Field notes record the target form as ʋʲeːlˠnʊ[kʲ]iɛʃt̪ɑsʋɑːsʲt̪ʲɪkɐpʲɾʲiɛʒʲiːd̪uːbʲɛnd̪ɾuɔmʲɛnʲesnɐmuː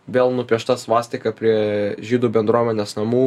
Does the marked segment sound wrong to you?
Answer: yes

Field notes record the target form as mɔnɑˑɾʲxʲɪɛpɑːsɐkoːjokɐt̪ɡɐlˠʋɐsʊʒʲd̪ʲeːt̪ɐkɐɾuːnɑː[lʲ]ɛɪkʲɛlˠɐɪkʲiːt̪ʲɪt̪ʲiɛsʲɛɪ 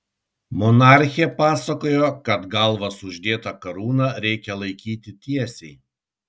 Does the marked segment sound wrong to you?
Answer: yes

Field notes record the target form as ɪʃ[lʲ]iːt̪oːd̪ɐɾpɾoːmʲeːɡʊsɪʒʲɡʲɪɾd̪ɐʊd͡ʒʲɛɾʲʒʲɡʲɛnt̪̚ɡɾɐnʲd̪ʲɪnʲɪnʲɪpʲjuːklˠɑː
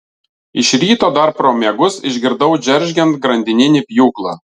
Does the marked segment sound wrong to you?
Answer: yes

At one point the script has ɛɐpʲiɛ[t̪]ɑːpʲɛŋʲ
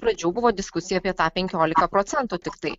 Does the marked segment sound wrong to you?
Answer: no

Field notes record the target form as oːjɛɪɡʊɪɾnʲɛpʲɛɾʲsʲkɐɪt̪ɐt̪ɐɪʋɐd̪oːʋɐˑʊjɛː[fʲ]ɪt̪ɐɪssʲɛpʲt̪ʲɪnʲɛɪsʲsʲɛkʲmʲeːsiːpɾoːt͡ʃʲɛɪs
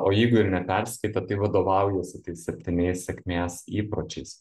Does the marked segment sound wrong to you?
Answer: yes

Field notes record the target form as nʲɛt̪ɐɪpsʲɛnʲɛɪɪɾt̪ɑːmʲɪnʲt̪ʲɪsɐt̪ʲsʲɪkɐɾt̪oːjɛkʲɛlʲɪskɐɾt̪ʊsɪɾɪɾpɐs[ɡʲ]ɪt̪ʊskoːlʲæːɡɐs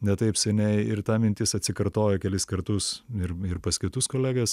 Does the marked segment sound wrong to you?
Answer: yes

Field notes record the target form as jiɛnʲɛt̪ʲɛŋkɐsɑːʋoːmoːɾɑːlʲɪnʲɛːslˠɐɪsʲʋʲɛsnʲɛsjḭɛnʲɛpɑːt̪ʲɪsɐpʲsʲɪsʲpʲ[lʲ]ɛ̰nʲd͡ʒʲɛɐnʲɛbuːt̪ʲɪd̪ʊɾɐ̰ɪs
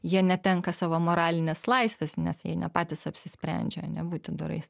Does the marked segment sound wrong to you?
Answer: yes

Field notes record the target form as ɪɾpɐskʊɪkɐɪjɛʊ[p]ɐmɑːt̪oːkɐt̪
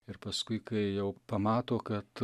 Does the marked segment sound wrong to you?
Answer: no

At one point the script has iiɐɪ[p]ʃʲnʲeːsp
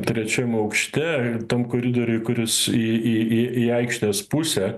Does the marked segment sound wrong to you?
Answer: yes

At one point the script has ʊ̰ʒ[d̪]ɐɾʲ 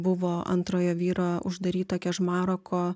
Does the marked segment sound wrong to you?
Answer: no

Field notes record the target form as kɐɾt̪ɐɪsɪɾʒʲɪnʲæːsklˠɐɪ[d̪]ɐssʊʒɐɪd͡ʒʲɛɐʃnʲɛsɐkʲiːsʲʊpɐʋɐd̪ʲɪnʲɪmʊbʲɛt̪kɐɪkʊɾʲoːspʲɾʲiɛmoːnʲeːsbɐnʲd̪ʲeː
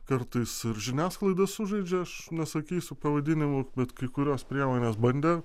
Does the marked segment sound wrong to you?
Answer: no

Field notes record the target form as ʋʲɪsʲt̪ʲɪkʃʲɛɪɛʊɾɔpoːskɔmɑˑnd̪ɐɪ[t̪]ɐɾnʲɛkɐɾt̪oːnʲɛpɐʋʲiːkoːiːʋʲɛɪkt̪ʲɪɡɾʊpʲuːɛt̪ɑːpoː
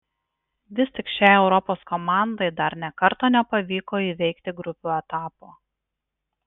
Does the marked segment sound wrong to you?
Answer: yes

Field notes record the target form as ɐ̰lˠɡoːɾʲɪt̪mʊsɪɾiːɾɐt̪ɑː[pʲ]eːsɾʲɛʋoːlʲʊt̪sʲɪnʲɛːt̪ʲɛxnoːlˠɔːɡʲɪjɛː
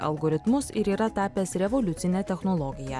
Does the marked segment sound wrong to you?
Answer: no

